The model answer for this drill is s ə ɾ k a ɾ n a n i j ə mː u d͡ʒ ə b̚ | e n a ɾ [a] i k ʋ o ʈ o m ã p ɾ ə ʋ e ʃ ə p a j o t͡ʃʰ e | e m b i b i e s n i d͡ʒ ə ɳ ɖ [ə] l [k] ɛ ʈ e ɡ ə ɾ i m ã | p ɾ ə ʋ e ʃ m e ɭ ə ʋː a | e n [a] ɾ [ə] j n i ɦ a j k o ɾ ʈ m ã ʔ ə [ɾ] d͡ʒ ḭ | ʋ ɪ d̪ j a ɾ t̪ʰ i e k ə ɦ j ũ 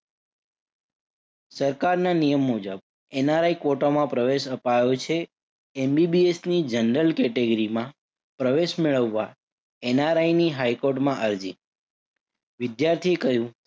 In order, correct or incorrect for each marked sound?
correct, correct, correct, correct, incorrect, correct

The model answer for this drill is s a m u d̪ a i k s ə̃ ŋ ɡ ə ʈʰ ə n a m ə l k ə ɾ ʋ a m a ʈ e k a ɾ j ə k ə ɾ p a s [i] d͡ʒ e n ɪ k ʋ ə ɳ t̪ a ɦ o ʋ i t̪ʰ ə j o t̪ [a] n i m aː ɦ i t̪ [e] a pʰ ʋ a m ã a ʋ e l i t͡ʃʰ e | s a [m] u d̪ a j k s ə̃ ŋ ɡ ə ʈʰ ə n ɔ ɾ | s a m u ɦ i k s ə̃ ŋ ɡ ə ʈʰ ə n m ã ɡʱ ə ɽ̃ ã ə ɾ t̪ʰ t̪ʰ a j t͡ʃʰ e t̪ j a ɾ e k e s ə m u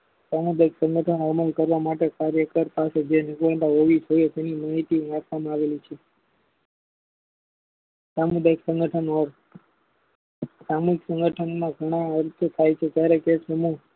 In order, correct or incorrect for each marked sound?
incorrect, incorrect, incorrect, correct

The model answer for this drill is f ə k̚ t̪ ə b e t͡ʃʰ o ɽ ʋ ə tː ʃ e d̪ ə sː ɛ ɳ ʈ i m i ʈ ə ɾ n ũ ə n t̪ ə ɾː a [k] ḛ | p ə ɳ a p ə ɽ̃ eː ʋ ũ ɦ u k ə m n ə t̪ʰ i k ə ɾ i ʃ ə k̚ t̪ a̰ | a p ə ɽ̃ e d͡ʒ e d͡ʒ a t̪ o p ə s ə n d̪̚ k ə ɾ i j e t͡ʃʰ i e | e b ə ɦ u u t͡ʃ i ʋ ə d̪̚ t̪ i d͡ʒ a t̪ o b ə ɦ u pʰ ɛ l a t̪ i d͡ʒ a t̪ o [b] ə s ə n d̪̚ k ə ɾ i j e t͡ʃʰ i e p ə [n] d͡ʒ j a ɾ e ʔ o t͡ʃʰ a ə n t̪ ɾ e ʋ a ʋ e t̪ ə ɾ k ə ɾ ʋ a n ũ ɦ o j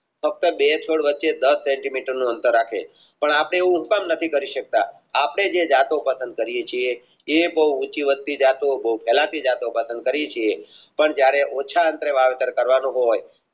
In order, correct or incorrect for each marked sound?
incorrect, incorrect, incorrect

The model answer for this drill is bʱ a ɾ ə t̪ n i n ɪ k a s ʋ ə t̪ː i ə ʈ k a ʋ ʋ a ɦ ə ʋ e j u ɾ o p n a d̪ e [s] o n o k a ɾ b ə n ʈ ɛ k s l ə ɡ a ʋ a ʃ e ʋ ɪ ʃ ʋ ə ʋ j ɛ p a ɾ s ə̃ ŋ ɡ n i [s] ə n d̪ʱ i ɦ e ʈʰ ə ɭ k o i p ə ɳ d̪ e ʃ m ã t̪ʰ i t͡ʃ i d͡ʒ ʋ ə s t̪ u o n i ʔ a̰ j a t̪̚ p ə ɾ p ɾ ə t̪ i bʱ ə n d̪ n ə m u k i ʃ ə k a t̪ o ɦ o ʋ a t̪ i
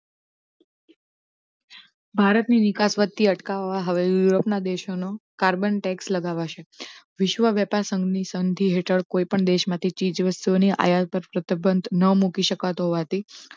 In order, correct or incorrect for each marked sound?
incorrect, correct

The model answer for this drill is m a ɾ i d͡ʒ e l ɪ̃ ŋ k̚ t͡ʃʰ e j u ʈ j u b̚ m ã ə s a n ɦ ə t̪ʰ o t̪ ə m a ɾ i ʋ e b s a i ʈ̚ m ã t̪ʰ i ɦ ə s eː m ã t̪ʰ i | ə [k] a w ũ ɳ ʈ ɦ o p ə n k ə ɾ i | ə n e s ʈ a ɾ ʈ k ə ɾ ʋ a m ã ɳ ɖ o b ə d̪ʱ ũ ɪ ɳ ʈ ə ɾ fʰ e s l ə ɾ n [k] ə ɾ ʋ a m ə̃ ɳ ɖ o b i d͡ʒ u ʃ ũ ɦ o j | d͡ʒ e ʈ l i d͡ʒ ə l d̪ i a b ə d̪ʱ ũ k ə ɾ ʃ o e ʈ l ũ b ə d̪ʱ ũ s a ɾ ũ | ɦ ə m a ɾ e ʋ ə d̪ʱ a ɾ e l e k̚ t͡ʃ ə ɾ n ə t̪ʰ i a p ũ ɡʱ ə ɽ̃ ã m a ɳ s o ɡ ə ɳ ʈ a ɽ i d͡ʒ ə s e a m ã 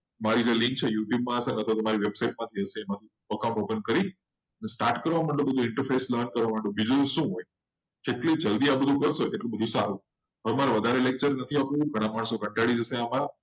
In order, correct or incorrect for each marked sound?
correct, correct

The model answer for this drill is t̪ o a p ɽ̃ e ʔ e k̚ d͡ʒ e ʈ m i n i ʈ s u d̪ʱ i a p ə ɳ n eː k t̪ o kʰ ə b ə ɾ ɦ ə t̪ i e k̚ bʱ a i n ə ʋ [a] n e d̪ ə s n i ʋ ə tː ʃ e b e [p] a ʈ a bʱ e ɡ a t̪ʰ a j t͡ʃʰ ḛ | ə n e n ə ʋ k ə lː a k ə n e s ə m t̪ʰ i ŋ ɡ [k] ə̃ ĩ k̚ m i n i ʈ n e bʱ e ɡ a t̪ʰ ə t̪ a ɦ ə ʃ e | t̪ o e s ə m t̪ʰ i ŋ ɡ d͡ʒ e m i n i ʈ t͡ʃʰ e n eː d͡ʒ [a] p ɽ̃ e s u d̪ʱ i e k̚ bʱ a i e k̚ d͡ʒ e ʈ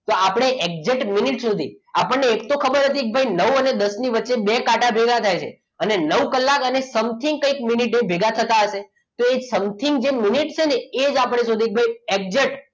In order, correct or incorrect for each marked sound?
incorrect, incorrect, correct, correct

